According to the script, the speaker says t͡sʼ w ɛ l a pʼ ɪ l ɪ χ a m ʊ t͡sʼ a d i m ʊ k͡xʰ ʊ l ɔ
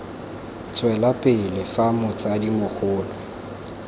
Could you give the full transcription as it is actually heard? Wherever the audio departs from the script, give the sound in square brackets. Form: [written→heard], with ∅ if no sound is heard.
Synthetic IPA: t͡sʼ w ɛ l a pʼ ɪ l ɪ [χ→f] a m ʊ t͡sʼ a d i m ʊ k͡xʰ [ʊ→ʊː] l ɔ